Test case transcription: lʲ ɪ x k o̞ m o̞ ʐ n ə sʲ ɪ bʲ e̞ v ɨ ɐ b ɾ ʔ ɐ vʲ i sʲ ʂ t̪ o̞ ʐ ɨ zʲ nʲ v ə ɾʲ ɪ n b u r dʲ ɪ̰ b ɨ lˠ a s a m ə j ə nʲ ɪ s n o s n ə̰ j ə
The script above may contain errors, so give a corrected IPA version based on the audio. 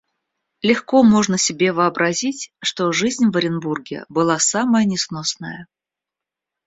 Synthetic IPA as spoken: lʲ ɪ x k o̞ m o̞ ʐ n ə sʲ ɪ bʲ e̞ v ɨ ɐ b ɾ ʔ ɐ zʲ i tʲ ʂ t̪ o̞ ʐ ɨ zʲ nʲ v ə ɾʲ ɪ n b u r ɡʲ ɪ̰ b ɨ lˠ a s a m ə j ə nʲ ɪ s n o s n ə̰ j ə